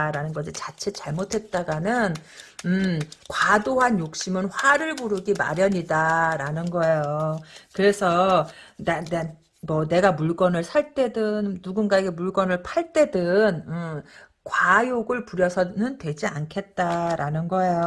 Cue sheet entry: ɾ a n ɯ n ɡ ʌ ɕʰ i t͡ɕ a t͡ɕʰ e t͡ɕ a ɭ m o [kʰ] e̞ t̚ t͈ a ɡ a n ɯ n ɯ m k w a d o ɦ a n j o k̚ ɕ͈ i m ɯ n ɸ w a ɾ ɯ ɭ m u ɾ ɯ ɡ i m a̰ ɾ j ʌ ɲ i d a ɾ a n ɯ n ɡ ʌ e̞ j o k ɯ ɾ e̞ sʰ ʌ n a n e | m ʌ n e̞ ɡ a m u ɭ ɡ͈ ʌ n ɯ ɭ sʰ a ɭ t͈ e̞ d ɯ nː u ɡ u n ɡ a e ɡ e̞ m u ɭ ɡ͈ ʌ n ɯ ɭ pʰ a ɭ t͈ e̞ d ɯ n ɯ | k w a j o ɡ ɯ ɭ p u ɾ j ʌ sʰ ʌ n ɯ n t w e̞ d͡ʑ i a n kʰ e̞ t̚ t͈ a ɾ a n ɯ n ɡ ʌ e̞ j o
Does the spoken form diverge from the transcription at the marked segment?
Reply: yes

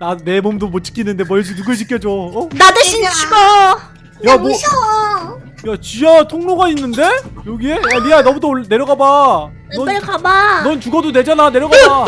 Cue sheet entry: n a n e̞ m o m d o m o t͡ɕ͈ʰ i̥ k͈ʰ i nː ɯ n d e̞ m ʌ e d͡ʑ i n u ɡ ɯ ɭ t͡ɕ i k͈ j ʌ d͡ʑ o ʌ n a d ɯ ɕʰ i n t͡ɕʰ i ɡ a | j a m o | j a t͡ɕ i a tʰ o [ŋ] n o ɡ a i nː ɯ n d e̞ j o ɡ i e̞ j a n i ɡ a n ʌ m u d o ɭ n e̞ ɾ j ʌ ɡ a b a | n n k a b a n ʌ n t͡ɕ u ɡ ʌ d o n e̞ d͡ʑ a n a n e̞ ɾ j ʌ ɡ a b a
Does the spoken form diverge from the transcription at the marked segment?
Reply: no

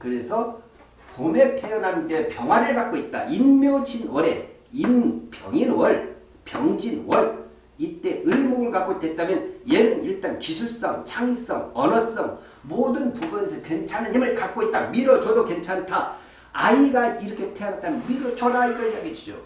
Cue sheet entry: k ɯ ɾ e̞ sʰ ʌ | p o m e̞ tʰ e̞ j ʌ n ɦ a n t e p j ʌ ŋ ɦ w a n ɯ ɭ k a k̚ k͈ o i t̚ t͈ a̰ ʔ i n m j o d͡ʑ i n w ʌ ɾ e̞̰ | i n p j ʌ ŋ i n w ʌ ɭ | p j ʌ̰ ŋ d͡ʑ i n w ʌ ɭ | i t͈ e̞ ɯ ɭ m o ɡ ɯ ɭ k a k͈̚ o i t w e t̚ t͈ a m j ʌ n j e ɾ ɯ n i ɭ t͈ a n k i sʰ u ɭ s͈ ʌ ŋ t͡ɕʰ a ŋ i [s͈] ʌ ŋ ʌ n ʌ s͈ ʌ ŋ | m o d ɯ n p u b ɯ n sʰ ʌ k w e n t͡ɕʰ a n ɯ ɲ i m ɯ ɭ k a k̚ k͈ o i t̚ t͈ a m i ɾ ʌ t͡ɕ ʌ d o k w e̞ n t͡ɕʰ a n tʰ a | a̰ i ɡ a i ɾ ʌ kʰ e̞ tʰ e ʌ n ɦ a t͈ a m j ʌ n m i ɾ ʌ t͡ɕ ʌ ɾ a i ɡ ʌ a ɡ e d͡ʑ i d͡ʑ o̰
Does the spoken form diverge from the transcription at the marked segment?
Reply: no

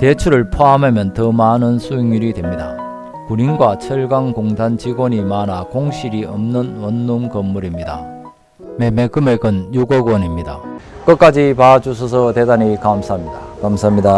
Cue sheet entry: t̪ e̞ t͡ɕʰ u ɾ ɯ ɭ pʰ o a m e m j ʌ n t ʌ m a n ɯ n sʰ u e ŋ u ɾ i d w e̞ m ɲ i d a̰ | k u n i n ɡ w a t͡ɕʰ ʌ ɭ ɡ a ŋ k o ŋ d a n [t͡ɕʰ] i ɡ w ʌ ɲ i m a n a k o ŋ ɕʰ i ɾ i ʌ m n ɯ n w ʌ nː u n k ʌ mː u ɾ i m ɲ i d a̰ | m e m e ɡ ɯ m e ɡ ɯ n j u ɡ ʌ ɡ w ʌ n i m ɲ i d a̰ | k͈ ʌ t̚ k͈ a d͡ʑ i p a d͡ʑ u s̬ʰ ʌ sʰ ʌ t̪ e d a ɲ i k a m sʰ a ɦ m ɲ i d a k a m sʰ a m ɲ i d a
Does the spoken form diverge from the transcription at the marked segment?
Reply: yes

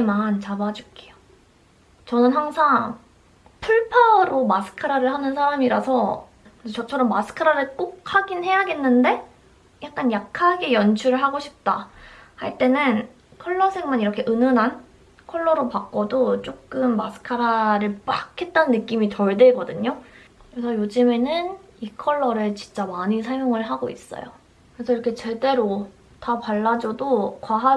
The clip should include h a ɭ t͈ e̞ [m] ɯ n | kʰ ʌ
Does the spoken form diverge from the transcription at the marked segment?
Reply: yes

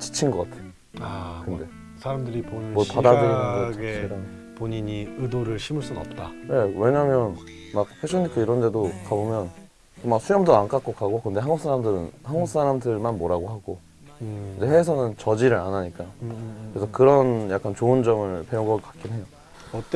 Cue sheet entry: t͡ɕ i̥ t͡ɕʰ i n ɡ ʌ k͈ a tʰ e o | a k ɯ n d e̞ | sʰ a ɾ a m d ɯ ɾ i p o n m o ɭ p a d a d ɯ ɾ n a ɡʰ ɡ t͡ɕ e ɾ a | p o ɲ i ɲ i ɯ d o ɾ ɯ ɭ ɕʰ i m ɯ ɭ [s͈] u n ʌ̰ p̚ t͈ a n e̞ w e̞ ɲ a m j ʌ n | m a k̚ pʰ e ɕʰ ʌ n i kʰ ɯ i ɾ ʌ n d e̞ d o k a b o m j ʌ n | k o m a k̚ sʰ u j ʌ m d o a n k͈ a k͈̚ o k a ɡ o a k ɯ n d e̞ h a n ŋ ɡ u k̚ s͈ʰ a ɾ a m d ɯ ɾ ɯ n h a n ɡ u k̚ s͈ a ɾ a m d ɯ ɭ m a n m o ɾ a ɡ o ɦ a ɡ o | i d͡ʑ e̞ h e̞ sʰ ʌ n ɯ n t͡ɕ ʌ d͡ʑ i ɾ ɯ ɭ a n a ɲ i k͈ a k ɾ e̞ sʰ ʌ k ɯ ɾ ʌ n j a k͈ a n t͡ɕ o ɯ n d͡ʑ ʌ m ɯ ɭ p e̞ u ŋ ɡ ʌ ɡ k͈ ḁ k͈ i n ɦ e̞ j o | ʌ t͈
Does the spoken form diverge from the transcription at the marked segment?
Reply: no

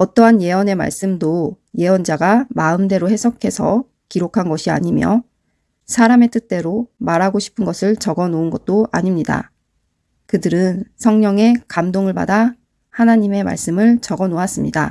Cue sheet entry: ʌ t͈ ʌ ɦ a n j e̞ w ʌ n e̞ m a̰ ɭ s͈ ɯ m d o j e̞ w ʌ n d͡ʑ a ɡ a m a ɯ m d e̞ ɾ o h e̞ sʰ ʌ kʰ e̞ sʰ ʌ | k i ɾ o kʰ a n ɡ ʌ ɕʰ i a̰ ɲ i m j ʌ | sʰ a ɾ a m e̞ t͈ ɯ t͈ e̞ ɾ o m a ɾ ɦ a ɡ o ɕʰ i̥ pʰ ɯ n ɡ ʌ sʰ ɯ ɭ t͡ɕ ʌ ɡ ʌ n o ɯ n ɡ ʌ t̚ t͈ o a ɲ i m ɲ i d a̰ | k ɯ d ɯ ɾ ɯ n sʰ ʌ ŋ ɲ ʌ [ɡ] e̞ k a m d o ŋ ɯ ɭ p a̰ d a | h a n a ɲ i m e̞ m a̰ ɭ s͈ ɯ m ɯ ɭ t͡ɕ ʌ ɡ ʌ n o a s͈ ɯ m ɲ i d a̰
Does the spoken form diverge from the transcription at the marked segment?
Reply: yes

